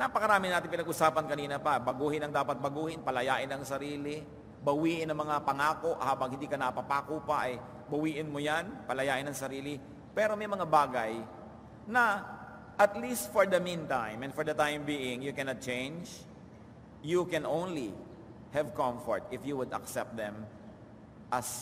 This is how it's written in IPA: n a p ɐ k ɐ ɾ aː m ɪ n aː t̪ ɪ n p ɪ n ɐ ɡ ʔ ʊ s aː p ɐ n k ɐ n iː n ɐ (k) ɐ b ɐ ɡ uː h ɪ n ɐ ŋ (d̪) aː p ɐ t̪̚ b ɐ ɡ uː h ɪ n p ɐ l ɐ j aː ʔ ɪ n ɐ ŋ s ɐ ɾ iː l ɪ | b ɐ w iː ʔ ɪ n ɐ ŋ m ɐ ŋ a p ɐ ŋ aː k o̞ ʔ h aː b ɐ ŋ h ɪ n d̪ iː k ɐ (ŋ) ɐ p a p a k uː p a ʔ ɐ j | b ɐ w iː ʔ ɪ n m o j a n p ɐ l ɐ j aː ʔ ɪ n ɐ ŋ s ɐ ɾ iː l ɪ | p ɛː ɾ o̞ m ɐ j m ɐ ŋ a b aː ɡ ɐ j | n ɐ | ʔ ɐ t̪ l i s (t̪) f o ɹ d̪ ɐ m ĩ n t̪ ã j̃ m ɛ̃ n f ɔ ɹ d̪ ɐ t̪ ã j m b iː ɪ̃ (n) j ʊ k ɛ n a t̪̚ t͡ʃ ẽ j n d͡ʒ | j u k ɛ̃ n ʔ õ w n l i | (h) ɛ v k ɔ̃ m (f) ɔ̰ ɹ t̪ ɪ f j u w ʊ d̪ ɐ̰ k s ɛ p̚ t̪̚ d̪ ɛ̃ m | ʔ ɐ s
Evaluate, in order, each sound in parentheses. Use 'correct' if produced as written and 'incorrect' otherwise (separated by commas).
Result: incorrect, correct, incorrect, correct, incorrect, correct, correct